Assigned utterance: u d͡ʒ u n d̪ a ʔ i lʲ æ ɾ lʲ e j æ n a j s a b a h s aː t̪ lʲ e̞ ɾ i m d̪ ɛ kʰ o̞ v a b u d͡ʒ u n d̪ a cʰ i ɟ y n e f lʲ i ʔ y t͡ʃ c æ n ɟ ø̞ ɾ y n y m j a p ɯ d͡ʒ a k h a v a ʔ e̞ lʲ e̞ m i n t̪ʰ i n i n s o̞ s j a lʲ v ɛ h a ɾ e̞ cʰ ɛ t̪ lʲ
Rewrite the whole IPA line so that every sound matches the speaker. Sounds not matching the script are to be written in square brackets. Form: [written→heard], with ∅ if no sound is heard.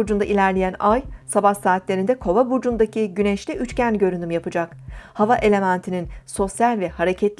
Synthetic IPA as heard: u d͡ʒ u n d̪ a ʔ i lʲ æ ɾ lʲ e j æ n a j s a b a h s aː t̪ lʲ e̞ ɾ i [m→n] d̪ ɛ kʰ o̞ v a b u d͡ʒ u n d̪ a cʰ i ɟ y n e [f→ʃ] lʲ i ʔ y t͡ʃ c æ n ɟ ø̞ ɾ y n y m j a p ɯ d͡ʒ a k h a v a ʔ e̞ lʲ e̞ m [i→æ] n t̪ʰ i n i n s o̞ s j a lʲ v ɛ h a ɾ e̞ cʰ ɛ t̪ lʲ

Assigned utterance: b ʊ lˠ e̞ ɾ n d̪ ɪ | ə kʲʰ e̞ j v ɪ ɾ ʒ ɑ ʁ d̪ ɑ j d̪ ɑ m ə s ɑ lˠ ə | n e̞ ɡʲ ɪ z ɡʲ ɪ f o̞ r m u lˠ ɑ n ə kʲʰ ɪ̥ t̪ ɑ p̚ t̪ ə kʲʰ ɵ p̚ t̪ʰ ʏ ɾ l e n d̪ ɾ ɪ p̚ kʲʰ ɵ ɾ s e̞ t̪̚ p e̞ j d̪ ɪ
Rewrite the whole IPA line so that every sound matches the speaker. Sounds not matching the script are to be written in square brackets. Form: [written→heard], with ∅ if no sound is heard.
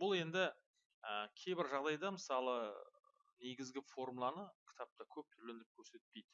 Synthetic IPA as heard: b ʊ lˠ e̞ [ɾ→∅] n d̪ ɪ | ə kʲʰ e̞ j [v→b] ɪ ɾ ʒ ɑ ʁ d̪ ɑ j d̪ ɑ m ə s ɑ lˠ ə | n e̞ ɡʲ ɪ z ɡʲ ɪ f o̞ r m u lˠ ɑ n ə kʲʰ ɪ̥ t̪ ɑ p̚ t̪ [ə→ɑ] kʲʰ ɵ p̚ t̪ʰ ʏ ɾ l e n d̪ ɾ ɪ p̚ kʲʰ ɵ ɾ s e̞ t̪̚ p e̞ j d̪ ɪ

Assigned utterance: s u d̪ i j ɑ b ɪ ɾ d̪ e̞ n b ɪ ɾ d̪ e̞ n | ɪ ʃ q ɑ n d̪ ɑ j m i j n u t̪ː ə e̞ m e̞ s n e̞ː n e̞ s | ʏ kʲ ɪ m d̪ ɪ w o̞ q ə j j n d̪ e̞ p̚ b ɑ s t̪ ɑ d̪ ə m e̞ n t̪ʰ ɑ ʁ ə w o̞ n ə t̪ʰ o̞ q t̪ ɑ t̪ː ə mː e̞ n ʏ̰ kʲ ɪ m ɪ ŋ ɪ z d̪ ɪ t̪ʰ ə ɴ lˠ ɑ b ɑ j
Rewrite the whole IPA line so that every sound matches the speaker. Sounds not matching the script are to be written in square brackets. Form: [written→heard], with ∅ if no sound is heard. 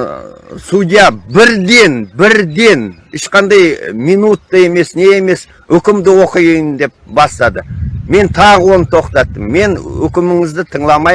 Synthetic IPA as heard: s u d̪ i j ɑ b ɪ ɾ d̪ e̞ n b ɪ ɾ d̪ e̞ n | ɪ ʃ q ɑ n d̪ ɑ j m i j n u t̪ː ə e̞ m e̞ s n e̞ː [n→m] e̞ s | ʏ kʲ ɪ m d̪ ɪ w o̞ q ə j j n d̪ e̞ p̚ b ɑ s t̪ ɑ d̪ ə m e̞ n t̪ʰ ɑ ʁ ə w o̞ n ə t̪ʰ o̞ q t̪ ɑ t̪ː ə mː e̞ n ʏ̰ kʲ ɪ m ɪ ŋ ɪ z d̪ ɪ t̪ʰ ə ɴ lˠ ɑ [b→m] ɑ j

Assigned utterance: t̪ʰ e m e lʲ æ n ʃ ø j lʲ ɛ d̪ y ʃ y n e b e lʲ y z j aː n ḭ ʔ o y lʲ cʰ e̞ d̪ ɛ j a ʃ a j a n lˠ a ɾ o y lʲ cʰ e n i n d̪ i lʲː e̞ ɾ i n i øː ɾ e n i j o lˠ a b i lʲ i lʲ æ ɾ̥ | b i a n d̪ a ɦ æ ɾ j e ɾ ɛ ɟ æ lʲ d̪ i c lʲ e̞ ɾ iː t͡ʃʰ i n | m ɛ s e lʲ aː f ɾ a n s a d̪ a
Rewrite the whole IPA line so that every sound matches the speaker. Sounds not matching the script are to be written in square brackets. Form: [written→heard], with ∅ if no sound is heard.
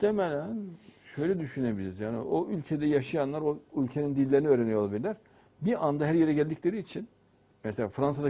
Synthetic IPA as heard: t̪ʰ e m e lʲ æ n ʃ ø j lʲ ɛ d̪ y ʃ y n e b [e→i] lʲ [y→i] z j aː n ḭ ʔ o y lʲ cʰ e̞ d̪ ɛ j a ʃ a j a n lˠ a ɾ o y lʲ cʰ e n i n d̪ i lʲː e̞ ɾ i n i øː ɾ e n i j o lˠ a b i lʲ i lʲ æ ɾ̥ | b i a n d̪ a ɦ æ ɾ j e ɾ ɛ ɟ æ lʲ d̪ i c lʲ e̞ ɾ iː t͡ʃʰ i n | m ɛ s e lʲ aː f ɾ a n s a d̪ a

